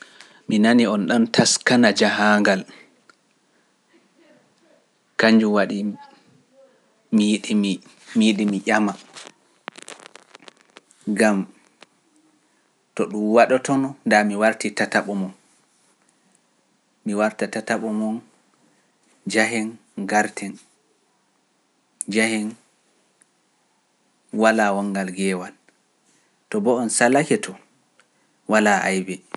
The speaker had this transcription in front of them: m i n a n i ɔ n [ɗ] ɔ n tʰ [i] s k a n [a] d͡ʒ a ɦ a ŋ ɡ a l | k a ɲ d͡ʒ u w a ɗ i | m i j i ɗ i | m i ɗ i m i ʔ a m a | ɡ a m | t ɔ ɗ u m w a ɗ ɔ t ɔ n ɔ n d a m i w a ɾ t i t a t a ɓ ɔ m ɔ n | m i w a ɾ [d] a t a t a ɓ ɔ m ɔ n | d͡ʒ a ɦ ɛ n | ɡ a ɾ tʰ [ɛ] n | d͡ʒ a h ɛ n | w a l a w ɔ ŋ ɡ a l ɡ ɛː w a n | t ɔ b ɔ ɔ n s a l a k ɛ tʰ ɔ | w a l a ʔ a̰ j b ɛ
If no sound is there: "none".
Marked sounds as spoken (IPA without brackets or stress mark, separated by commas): ɗ, a, a, t, ɛ